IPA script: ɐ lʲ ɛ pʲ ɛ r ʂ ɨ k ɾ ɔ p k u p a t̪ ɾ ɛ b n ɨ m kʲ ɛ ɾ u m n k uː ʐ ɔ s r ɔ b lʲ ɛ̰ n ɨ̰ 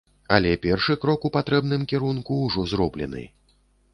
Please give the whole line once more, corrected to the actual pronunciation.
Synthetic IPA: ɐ lʲ ɛ pʲ ɛ r ʂ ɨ k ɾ ɔ k u p a t̪ ɾ ɛ b n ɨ m kʲ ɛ ɾ u n k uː ʐ ɔ z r ɔ b lʲ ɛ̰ n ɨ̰